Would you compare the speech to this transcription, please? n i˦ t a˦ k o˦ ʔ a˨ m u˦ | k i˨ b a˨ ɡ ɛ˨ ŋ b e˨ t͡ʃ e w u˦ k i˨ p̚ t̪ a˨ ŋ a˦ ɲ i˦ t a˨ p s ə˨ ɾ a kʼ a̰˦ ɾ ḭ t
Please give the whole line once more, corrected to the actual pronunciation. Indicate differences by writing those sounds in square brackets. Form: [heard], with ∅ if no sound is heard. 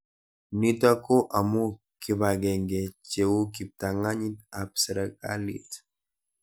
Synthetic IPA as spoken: n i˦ t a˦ k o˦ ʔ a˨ m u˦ | k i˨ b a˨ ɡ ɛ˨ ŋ [ɡ] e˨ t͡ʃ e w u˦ k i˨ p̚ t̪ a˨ ŋ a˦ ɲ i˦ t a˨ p s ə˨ ɾ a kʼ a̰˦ [l] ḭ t